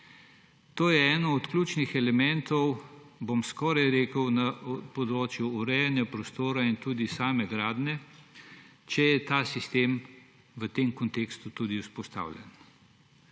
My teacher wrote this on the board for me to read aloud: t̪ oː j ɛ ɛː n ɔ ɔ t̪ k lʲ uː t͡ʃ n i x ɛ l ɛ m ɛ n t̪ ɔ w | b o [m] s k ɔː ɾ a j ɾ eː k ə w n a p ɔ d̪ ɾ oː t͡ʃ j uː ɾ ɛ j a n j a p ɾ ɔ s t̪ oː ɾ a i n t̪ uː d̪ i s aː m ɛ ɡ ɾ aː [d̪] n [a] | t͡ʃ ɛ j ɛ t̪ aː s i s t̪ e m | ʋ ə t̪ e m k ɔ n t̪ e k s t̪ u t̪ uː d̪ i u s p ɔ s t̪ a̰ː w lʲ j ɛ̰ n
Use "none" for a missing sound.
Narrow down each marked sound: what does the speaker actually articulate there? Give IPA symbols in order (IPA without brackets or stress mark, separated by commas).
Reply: m, d̪, ɛ